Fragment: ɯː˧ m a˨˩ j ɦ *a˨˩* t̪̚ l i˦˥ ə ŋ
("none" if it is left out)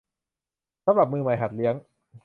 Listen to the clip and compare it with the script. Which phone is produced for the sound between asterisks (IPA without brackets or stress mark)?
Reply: a˨˩